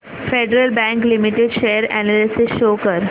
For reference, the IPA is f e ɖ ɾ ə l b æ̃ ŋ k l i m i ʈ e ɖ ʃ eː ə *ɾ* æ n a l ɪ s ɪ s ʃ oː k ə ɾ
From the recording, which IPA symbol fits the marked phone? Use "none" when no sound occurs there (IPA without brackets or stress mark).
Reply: ɾ